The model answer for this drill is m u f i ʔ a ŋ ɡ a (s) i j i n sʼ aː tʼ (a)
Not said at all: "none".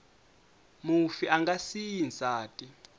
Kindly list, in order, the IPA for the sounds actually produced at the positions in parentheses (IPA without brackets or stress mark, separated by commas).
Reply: s, i